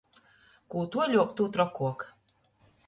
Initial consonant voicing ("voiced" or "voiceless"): voiceless